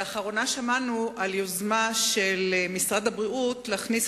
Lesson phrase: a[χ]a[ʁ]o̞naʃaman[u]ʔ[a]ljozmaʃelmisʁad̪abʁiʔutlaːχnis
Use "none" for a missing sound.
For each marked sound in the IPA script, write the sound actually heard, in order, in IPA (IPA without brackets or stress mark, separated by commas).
χ, ʁ, u, a